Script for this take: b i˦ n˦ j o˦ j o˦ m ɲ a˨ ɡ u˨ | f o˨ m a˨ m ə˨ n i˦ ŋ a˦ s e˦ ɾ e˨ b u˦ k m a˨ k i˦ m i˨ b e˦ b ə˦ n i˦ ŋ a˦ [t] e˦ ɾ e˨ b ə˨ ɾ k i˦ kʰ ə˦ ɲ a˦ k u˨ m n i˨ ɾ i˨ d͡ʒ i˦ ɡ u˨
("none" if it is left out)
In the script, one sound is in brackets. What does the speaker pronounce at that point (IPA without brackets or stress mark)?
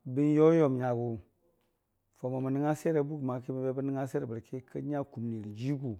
s